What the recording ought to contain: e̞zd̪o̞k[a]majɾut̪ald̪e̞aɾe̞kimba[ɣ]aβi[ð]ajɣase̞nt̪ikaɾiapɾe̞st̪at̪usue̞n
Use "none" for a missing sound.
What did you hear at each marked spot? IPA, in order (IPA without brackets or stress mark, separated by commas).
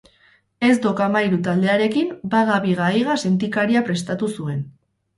a, ɣ, ɣ